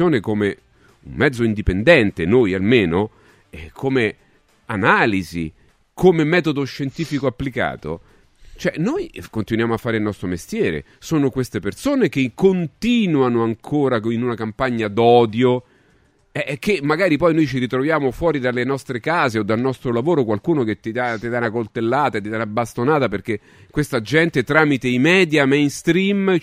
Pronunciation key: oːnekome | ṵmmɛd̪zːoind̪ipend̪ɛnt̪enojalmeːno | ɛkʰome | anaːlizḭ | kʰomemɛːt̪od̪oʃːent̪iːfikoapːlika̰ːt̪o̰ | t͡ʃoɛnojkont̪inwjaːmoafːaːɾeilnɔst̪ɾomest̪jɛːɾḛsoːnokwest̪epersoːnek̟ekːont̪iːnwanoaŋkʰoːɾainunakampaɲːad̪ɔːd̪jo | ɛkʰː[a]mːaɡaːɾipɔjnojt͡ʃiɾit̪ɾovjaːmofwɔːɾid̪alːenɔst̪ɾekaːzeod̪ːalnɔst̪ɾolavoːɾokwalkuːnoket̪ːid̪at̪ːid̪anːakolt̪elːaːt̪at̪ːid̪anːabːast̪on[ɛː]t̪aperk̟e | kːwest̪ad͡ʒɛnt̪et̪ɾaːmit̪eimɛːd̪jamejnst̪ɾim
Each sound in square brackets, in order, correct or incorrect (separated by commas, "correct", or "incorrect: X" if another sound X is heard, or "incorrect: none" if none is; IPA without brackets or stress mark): incorrect: e, incorrect: aː